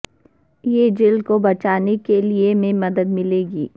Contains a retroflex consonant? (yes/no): no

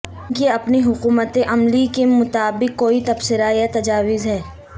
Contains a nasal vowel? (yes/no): no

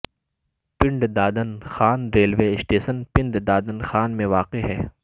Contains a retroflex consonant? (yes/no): yes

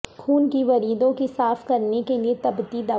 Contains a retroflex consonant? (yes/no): no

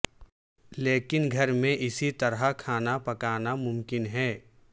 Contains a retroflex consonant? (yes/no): no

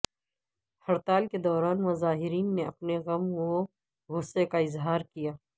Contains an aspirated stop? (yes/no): no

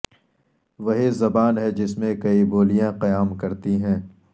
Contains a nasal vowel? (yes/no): yes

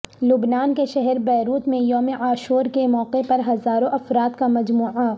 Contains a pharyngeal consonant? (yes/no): yes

